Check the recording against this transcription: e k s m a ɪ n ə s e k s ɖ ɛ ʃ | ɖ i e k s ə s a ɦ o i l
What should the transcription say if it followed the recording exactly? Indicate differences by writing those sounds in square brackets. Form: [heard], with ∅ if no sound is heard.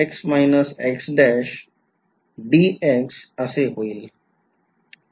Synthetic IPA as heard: e k s m a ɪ n ə s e k s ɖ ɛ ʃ | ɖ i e k s ə s [e] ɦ o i l